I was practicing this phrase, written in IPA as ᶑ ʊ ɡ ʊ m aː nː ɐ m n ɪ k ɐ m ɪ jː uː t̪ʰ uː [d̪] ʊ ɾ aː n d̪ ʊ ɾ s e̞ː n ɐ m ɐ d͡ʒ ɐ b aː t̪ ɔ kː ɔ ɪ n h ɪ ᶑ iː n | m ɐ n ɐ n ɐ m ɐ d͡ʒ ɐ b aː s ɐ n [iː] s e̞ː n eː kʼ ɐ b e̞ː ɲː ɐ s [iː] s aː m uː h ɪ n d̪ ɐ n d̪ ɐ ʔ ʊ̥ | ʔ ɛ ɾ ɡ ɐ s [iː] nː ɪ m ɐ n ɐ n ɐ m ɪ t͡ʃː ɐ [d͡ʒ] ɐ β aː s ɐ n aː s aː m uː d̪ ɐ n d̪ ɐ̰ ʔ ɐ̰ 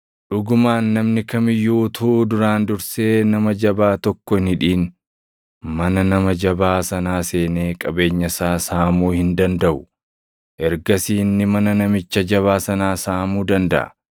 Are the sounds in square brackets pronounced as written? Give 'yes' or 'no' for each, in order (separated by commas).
yes, no, no, yes, yes